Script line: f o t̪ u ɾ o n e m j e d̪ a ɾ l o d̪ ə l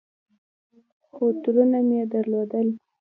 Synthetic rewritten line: x o t̪ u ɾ u n a m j e d̪ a ɾ l o d̪ ə l